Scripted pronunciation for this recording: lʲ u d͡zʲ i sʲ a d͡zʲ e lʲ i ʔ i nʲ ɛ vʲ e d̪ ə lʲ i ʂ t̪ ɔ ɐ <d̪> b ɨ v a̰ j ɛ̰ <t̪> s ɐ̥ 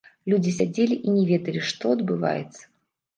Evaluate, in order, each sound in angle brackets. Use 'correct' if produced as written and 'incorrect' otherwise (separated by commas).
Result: correct, correct